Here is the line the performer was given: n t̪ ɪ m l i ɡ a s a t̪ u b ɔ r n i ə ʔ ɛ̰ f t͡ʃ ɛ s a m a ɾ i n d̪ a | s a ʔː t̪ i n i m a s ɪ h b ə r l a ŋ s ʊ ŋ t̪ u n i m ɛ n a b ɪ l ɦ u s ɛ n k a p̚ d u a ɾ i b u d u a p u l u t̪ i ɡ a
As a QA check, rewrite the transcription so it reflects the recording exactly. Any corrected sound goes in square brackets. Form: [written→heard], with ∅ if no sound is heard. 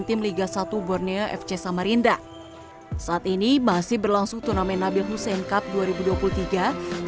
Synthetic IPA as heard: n t̪ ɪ m l i ɡ a s a t̪ u b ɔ r n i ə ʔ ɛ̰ f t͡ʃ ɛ s a m a ɾ i n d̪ a | s a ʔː t̪ i n i m a s ɪ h b ə r l a ŋ s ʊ ŋ t̪ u n [i→a] m ɛ n a b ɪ l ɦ u s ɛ n k a p̚ d u a ɾ i b u d u a p u l u t̪ i ɡ a